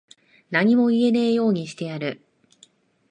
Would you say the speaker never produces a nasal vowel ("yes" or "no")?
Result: yes